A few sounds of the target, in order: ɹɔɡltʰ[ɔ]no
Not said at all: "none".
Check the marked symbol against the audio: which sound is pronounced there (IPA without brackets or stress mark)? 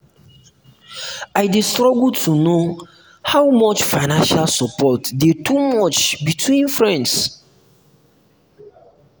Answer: u